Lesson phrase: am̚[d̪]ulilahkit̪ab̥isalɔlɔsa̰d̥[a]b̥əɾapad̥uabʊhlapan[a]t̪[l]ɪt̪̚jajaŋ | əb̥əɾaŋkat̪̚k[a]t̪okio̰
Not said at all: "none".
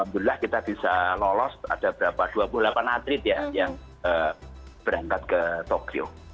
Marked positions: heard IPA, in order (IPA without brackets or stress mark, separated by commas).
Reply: d̪, a, a, ɾ, ə